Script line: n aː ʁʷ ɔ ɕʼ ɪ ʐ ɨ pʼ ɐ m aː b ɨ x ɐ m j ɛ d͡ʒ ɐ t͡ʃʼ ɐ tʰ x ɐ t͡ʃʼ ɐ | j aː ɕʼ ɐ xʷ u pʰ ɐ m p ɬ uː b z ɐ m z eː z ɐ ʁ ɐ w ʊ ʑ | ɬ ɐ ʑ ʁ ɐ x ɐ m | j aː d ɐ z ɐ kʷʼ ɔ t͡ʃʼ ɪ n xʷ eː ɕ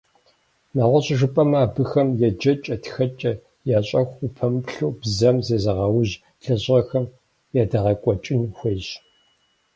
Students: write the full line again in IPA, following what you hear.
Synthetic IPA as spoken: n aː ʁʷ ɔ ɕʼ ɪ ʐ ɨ pʼ ɐ m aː b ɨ x ɐ m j ɛ d͡ʒ ɐ t͡ʃʼ ɐ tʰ x ɐ t͡ʃʼ ɐ | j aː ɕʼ ɐ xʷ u pʰ ɐ m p ɬ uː b z ɐ m z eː z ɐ ʁ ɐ w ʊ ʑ | ɬ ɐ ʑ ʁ ɐ x ɐ m | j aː d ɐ ʁ ɐ kʷʼ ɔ t͡ʃʼ ɪ n xʷ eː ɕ